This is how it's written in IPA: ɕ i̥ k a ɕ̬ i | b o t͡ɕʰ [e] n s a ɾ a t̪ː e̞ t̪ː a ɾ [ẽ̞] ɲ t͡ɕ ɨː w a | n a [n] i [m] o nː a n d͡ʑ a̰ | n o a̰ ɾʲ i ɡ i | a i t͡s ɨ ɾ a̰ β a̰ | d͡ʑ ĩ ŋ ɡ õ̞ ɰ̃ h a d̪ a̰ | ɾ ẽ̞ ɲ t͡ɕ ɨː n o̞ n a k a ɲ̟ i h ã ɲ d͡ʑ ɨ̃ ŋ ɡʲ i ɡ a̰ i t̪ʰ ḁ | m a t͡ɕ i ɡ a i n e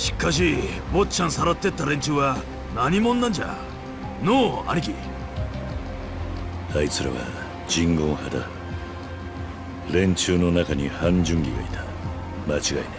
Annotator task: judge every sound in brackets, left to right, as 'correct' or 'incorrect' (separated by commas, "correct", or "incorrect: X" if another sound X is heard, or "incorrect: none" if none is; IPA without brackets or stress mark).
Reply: incorrect: a, incorrect: e̞, incorrect: ɲ, correct